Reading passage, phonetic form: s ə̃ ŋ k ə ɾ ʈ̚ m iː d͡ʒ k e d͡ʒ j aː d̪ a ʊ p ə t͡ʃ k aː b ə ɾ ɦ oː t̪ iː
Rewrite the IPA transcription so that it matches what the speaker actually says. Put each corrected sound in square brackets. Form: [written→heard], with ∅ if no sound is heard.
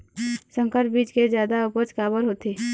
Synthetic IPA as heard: s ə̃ ŋ k ə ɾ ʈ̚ [m→b] iː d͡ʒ k e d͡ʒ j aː d̪ a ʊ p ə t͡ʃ k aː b ə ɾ ɦ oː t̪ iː